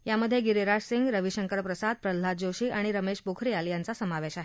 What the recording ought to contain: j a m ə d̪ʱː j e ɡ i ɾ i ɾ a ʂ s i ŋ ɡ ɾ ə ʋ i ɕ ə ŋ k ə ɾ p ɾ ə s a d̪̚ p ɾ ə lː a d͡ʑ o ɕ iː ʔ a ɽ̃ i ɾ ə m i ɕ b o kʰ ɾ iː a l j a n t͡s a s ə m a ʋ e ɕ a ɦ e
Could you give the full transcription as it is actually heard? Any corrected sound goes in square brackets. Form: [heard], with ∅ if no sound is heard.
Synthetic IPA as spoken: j a m ə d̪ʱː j e ɡ i ɾ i ɾ a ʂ s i ŋ ɡ ɾ ə ʋ i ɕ ə ŋ k ə ɾ p ɾ ə s a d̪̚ p ɾ ə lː a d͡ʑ o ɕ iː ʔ a ɽ̃ i ɾ ə m [e] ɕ b o kʰ ɾ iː a l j a n t͡s a s ə m a ʋ e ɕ a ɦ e